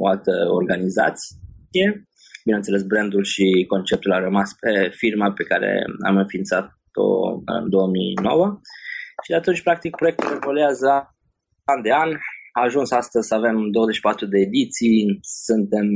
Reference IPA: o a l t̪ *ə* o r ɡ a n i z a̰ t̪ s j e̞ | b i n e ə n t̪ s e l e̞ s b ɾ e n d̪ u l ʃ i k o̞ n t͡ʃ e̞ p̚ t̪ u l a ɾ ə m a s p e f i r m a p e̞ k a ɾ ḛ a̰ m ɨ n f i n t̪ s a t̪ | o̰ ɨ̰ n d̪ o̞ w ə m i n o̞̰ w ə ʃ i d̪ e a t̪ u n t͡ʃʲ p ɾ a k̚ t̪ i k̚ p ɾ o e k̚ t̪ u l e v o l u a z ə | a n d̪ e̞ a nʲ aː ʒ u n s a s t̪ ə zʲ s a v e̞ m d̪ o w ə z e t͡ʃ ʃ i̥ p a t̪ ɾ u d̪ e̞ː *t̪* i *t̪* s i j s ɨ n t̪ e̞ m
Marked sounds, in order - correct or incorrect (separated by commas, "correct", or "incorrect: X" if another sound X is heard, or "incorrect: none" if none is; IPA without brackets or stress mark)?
correct, incorrect: d̪, correct